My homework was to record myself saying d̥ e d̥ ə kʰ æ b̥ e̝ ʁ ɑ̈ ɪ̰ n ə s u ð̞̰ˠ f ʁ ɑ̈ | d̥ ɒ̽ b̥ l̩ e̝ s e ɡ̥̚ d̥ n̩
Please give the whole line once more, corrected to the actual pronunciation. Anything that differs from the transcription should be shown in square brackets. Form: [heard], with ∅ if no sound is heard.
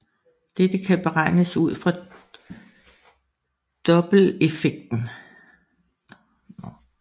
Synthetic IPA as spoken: d̥ e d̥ ə kʰ æ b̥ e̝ ʁ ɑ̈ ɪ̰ n ə s u ð̞̰ˠ f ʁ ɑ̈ | d̥ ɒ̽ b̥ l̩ e̝ [f] e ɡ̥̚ d̥ n̩